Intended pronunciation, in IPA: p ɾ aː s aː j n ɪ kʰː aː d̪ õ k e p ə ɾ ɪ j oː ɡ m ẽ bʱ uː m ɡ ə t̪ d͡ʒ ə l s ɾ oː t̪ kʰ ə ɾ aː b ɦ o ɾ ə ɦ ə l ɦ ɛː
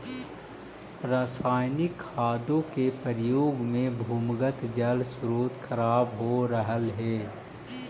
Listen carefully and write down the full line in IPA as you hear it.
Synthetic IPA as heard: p ɾ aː s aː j n ɪ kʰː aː d̪ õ k e p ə ɾ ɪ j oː ɡ m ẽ bʱ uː m ɡ ə t̪ d͡ʒ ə l s ɾ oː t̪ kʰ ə ɾ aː b ɦ o ɾ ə ɦ ə l ɦ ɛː